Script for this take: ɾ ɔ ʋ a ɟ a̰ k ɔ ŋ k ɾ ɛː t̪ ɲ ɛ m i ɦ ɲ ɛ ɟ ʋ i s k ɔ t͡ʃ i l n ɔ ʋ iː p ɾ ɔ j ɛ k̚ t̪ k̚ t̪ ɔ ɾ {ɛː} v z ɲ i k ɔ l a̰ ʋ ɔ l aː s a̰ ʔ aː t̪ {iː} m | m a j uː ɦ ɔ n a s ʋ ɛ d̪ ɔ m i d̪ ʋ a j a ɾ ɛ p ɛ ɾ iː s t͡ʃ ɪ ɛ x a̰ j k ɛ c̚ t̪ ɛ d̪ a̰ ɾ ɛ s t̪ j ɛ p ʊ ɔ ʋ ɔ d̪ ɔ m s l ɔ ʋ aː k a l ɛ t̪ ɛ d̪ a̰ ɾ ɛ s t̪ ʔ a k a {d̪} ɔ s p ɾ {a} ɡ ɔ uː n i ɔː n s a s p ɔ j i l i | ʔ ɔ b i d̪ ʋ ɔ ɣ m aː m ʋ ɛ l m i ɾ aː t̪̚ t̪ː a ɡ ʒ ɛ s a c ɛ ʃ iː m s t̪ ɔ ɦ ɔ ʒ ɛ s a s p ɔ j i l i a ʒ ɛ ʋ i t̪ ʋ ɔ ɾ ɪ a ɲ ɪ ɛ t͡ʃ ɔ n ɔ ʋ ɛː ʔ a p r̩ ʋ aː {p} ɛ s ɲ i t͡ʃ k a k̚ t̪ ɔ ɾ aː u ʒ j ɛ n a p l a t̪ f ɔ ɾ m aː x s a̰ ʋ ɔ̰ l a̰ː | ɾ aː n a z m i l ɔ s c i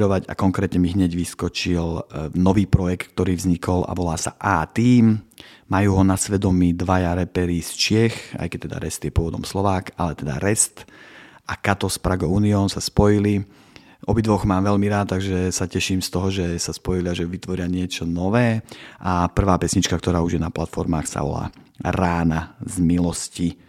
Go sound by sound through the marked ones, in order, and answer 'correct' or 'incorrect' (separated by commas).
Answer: incorrect, correct, incorrect, correct, correct